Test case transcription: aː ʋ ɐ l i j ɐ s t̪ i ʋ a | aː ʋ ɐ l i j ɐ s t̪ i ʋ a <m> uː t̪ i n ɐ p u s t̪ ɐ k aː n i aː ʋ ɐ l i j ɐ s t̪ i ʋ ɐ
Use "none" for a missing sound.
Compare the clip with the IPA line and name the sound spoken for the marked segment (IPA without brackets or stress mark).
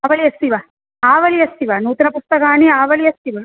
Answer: n